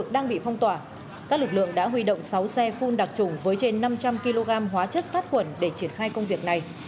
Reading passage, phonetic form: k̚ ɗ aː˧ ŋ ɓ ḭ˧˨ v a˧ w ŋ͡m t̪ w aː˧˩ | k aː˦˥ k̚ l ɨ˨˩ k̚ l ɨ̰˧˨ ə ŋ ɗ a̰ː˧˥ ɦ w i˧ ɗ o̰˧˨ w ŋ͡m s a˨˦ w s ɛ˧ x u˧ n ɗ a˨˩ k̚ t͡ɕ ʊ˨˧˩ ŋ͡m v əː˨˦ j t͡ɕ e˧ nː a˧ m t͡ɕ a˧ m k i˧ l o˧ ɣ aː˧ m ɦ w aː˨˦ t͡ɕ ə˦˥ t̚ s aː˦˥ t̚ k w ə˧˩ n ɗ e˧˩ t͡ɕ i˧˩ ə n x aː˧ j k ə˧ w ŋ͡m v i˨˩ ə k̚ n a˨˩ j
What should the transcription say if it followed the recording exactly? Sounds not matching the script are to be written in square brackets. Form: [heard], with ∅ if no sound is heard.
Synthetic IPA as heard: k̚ ɗ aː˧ ŋ ɓ ḭ˧˨ [f] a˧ w ŋ͡m t̪ w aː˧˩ | k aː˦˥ k̚ l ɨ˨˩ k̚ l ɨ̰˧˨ ə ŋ ɗ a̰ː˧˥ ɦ w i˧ ɗ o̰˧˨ w ŋ͡m s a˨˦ w s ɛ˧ [f] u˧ n ɗ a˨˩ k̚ t͡ɕ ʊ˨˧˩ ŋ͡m v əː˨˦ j t͡ɕ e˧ nː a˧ m t͡ɕ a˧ m k i˧ l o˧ ɣ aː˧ m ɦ w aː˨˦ t͡ɕ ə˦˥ t̚ s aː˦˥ t̚ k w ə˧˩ n ɗ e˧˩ t͡ɕ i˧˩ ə n x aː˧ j k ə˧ w ŋ͡m v i˨˩ ə k̚ n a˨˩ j